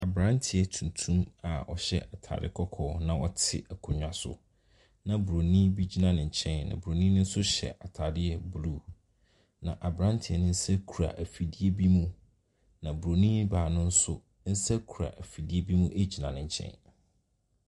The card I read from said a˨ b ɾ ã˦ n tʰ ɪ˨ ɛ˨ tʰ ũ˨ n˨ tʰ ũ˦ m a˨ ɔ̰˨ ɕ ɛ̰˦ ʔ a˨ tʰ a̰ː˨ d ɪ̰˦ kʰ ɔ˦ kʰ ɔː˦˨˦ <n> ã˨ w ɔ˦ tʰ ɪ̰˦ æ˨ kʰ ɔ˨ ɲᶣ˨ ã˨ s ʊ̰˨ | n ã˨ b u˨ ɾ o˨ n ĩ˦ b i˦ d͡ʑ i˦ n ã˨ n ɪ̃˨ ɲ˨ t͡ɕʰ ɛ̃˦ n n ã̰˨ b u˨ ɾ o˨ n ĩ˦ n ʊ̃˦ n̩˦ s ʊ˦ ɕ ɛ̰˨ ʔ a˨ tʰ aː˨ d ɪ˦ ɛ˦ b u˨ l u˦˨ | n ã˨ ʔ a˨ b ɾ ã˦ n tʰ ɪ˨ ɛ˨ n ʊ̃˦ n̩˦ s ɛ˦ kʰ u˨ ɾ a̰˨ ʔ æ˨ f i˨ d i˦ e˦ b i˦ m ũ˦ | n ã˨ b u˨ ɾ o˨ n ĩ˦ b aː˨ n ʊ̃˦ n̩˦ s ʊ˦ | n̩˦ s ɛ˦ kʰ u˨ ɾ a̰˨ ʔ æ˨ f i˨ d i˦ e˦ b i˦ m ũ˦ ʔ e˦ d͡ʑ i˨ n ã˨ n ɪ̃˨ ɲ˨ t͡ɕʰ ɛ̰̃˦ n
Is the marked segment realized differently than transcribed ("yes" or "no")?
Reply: no